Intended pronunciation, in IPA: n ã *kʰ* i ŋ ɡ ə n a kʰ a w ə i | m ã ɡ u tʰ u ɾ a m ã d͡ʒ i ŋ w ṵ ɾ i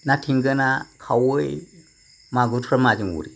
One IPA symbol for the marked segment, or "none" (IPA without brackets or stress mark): tʰ